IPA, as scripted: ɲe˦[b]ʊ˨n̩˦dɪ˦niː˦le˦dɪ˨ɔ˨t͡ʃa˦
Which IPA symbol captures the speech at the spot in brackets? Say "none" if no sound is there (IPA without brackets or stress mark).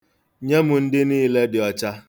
m